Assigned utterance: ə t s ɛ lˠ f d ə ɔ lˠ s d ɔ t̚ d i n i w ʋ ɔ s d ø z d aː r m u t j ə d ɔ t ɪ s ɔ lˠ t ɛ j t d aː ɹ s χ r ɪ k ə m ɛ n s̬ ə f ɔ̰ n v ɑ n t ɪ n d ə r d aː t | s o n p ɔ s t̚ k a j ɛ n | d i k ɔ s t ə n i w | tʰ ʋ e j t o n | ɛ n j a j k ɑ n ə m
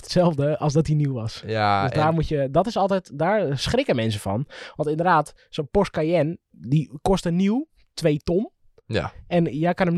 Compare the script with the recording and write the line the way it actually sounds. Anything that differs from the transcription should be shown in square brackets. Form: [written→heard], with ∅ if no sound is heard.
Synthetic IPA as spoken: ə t s ɛ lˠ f d ə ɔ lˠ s d ɔ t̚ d i n i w ʋ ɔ s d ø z d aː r m u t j ə d ɔ t ɪ s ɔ lˠ t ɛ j t d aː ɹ s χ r ɪ k ə m ɛ n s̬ ə f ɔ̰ n [v→ʋ] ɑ n t ɪ n d ə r d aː t | s o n p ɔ s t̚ k a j ɛ n | d i k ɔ s t ə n i w | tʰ ʋ e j t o n | ɛ n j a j k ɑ n ə m